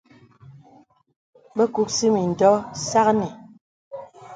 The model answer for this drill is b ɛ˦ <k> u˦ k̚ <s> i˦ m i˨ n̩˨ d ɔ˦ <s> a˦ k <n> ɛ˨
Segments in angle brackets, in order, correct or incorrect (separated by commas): correct, correct, correct, correct